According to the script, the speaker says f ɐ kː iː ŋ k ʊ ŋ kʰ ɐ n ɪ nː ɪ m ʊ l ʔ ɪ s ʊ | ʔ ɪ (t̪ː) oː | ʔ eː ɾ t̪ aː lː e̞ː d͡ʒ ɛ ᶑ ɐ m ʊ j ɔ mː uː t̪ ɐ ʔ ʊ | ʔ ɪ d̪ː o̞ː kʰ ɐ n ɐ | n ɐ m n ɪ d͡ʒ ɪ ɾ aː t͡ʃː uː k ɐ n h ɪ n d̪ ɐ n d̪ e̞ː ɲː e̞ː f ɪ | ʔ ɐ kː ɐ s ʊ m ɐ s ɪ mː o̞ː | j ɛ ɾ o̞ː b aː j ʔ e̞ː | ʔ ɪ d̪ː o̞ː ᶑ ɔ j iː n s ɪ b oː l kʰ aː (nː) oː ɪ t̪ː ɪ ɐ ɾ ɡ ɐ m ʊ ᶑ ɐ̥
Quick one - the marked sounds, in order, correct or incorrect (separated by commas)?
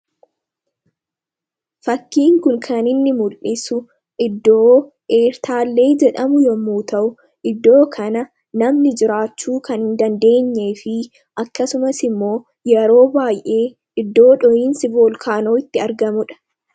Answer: incorrect, incorrect